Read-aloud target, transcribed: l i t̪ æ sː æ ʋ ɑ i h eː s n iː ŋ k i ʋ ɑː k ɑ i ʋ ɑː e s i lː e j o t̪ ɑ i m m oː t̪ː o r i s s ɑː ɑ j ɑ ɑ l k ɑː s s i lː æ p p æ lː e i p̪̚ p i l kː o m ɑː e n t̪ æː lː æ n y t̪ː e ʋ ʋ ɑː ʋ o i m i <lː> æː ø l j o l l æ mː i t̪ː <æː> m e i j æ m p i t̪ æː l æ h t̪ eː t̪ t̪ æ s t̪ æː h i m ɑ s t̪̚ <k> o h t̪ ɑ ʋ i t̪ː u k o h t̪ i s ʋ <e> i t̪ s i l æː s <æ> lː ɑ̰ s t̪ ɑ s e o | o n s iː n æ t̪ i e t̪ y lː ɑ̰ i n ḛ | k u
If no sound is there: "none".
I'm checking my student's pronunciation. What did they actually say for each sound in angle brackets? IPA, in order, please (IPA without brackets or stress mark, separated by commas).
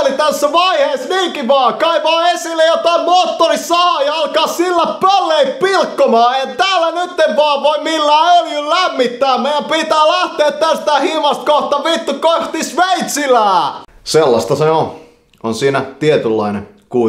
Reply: lː, æː, k, e, e